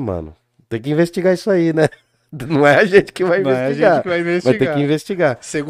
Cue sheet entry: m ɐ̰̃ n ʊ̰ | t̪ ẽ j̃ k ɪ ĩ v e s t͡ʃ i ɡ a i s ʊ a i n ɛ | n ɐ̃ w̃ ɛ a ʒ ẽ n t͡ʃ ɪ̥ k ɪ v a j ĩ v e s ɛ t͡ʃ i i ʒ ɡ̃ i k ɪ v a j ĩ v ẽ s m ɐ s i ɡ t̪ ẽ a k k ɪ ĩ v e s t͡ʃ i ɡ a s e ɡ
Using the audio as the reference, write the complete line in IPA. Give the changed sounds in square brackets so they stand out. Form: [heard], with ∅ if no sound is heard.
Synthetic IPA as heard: m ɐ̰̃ n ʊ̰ | t̪ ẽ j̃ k ɪ ĩ v e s t͡ʃ i ɡ a i s ʊ a i n ɛ | n ɐ̃ w̃ ɛ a ʒ ẽ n t͡ʃ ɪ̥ k ɪ v a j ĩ v e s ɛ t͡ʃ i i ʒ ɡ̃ [a] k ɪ v a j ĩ v [e] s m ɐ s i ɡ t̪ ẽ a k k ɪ ĩ v e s t͡ʃ i ɡ a s e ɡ